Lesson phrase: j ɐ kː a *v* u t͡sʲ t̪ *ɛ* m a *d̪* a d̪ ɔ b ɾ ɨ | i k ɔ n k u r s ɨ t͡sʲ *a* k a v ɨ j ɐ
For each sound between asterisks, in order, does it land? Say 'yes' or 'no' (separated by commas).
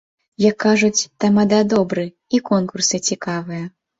no, no, yes, no